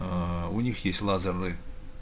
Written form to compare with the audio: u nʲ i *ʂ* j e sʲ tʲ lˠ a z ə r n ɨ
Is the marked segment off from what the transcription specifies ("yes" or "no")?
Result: yes